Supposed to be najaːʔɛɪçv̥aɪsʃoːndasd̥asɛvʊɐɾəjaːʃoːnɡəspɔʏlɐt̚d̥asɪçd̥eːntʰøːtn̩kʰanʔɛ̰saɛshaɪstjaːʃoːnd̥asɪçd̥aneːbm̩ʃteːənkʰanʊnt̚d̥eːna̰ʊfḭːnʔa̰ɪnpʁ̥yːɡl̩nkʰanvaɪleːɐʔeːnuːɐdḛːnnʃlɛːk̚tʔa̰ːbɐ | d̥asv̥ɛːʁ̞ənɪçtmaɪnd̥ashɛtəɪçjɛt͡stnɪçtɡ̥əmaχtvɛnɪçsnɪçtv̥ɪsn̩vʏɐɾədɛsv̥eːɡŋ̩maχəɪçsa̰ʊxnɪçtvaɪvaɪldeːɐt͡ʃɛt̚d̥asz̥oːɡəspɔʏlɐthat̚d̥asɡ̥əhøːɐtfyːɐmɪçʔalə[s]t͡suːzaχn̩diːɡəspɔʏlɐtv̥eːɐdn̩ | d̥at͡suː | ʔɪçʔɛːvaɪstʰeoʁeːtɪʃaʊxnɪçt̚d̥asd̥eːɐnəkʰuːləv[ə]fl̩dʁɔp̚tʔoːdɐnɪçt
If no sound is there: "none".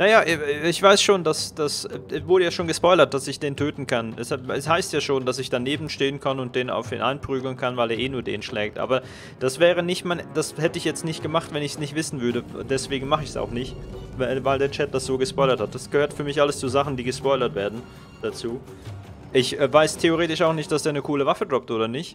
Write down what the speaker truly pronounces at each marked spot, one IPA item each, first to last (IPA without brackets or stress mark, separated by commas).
s, a